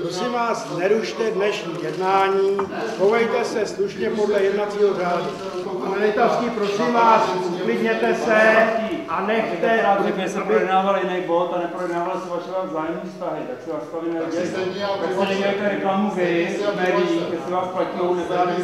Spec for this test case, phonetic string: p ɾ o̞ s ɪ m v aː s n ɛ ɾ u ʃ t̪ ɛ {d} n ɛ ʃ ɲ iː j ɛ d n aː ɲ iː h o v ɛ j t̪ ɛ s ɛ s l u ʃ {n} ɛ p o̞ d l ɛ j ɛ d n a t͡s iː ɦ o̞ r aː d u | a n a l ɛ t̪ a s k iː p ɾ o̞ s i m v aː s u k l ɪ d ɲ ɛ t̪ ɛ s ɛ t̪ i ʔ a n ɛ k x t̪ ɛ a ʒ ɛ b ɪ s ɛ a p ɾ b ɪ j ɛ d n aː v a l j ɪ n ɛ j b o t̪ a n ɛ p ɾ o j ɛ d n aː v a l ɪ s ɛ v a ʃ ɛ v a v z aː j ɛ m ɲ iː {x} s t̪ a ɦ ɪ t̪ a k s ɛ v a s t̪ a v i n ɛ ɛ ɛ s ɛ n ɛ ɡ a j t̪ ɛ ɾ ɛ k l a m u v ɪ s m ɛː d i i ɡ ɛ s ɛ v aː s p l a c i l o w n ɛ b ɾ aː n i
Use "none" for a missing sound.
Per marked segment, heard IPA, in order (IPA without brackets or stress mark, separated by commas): d, ɲ, f